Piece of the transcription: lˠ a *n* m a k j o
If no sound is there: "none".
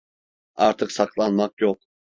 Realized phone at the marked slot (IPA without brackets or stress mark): n